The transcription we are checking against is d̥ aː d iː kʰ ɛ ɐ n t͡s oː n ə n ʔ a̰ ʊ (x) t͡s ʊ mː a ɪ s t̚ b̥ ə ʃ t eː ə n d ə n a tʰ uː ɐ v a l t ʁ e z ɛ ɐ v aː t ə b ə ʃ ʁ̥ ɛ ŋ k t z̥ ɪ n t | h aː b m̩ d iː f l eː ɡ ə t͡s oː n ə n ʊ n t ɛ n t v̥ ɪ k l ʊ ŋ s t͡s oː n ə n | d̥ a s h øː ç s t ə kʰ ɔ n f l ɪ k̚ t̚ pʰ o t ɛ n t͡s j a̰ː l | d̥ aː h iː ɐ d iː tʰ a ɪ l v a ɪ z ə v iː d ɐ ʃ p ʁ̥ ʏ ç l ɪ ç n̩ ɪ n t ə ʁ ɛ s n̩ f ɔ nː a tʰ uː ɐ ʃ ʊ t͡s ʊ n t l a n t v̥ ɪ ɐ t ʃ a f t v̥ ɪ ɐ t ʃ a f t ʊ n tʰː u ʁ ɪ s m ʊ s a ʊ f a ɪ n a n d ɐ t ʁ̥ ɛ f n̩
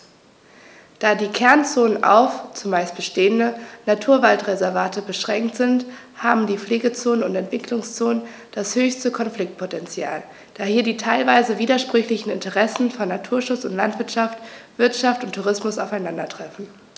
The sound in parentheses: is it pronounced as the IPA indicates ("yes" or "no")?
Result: no